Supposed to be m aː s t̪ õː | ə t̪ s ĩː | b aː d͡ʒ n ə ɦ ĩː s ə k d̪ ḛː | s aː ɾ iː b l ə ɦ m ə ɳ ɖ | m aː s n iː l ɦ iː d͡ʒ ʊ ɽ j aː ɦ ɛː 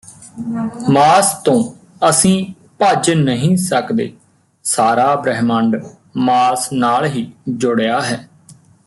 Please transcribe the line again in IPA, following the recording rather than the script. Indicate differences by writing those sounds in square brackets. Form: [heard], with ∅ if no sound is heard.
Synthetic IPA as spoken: m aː s t̪ õː | ə [∅] s ĩː | [p] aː d͡ʒ n ə ɦ ĩː s ə k d̪ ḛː | s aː ɾ [aː] b [ɾ] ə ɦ m ə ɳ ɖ | m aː s n [aː] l ɦ iː d͡ʒ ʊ ɽ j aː ɦ ɛː